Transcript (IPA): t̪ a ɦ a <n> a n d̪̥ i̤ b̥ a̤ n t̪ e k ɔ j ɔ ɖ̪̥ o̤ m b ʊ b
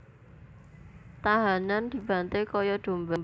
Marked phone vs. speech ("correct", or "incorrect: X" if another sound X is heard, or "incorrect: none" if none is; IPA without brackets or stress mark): correct